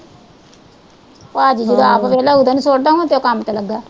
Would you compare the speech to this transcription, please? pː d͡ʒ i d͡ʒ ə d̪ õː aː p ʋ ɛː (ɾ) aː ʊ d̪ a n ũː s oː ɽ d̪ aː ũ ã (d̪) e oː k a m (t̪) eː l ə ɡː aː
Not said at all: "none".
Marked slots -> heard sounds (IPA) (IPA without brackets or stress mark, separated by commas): l, t̪, t̪